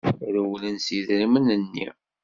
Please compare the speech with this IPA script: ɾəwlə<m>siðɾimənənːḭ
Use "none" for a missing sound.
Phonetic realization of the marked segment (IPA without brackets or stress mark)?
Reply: n